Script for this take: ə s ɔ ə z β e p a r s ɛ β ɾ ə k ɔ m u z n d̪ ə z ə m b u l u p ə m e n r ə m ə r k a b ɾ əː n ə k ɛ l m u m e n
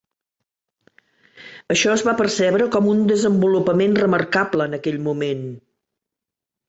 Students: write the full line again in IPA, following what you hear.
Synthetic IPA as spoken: ə ʃ ɔ ə z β a p ə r s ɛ β ɾ ə k ɔ m u n d̪ ə z ə m b u l u p ə m e n r ə m ə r k a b l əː n ə k ɛ ʎ m u m e n